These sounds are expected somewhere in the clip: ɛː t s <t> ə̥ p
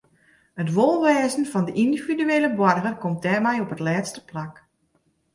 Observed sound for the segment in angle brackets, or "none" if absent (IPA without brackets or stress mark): t